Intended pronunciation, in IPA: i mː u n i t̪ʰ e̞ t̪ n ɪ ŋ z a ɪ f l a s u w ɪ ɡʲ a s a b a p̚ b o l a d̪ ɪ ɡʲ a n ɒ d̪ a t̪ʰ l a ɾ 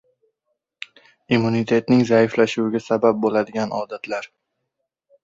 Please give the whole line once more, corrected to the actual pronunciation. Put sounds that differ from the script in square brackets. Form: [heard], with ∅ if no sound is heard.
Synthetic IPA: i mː u n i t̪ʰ e̞ t̪ n ɪ ŋ z a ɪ f l a [ʃ] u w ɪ ɡʲ a s a b a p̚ b o l a d̪ ɪ ɡʲ a n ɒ d̪ a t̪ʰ l a ɾ